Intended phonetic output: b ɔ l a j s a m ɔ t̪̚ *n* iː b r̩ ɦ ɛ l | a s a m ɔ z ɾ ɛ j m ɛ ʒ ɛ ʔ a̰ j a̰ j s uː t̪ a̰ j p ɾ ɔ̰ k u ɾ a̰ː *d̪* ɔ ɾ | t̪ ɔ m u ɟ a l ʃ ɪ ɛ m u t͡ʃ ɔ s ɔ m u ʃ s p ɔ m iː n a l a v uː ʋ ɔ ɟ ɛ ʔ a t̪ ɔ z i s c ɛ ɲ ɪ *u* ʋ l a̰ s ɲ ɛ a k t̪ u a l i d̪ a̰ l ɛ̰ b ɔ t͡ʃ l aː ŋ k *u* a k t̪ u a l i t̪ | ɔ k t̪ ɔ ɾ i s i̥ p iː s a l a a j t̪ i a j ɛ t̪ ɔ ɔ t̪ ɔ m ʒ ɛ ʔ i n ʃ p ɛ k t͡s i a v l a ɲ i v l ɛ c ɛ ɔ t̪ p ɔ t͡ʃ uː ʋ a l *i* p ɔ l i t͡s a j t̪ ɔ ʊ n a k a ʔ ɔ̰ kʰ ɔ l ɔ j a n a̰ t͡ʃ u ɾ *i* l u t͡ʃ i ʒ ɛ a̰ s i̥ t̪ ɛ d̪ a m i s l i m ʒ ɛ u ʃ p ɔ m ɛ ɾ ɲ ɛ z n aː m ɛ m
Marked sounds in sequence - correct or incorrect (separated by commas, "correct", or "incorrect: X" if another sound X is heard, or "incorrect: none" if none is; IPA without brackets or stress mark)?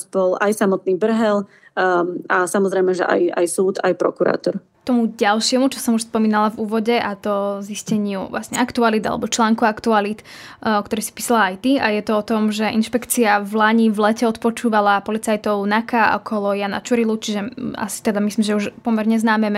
correct, incorrect: t̪, correct, correct, incorrect: a, correct